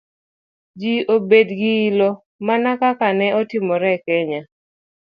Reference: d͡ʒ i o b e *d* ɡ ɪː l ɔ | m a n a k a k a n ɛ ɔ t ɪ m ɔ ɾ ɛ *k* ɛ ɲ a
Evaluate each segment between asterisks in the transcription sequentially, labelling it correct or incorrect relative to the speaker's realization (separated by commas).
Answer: correct, correct